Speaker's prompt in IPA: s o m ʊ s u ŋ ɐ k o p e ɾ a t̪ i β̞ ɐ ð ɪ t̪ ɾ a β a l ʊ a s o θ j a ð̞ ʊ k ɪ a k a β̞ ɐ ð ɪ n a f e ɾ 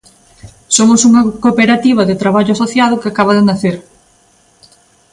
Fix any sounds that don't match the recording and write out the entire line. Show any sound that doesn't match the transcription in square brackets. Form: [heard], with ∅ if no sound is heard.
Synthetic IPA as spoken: s o m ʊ s u ŋ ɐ k o p e ɾ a t̪ i β̞ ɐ ð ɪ t̪ ɾ a β a [ʎ] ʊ a s o θ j a ð̞ ʊ k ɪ a k a β̞ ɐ ð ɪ n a [θ] e ɾ